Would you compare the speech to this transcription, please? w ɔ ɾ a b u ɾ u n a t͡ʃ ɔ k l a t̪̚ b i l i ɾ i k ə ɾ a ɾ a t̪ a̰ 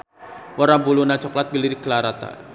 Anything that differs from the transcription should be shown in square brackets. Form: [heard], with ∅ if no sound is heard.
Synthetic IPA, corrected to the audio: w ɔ ɾ a b u [l] u n a t͡ʃ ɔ k l a t̪̚ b i l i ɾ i k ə [l] a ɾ a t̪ a̰